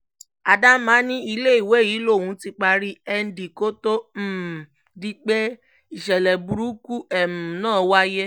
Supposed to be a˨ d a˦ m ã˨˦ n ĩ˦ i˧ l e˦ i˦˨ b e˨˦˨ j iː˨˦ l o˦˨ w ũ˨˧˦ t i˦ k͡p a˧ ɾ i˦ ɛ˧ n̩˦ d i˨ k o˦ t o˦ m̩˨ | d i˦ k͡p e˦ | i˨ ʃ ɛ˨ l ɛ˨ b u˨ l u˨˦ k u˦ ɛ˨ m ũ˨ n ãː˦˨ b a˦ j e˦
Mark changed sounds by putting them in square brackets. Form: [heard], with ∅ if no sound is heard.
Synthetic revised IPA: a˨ d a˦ m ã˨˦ n ĩ˦ i˧ l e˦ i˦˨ [w] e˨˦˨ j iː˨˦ l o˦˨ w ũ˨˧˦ t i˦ k͡p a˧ ɾ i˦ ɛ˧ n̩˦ d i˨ k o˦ t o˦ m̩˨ | d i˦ k͡p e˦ | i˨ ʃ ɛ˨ l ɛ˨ b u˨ [ɾ] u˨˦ k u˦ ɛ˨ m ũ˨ n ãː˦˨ [w] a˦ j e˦